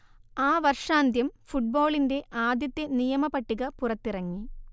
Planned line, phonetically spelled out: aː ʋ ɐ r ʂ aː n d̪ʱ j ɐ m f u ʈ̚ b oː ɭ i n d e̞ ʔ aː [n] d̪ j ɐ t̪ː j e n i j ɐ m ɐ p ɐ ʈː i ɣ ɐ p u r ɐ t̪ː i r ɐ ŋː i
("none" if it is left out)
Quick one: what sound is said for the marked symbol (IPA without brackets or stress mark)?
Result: none